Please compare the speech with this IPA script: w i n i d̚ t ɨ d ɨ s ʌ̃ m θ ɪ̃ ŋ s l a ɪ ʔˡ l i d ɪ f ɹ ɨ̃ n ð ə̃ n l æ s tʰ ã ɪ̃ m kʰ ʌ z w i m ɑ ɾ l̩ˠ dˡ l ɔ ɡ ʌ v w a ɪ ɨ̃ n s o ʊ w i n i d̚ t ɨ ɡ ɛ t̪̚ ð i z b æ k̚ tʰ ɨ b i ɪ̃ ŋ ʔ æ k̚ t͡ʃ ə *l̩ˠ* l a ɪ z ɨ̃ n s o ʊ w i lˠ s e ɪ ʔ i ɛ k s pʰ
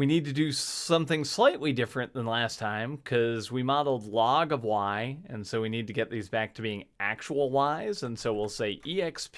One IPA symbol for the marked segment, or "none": l̩ˠ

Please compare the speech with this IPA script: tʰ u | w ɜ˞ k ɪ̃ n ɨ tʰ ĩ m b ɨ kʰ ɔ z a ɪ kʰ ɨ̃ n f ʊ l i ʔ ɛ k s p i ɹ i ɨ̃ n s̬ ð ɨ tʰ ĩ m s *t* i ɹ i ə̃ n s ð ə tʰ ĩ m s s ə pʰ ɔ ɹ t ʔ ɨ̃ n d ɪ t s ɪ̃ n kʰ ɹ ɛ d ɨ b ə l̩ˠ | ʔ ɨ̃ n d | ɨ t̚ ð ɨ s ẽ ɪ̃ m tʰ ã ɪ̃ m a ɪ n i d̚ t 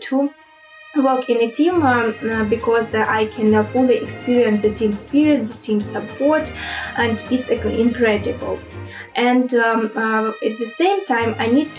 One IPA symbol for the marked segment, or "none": p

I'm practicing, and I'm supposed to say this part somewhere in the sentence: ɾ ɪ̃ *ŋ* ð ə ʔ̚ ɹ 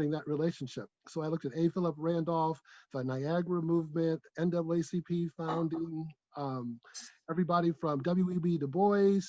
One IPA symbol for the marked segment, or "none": ŋ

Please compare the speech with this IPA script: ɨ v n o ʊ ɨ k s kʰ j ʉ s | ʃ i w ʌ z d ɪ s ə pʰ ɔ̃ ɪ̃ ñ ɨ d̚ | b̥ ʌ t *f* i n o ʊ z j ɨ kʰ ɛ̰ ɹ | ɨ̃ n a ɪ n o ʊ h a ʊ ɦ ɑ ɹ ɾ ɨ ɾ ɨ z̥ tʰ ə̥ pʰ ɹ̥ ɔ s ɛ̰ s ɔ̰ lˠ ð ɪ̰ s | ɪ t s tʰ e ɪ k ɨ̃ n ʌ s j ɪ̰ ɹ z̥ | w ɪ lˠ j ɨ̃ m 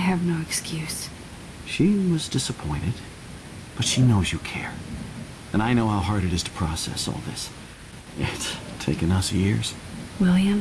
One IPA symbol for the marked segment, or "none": ʃ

